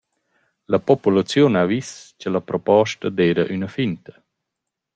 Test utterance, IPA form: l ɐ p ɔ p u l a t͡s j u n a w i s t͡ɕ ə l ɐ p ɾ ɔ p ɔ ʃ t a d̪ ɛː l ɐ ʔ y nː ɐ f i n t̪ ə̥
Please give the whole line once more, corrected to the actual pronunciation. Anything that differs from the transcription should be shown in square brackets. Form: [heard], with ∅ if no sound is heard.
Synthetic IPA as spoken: l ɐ p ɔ p u l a t͡s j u n a [v] i s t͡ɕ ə l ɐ p ɾ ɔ p ɔ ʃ t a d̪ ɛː [ɾ] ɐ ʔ y [n] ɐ f i n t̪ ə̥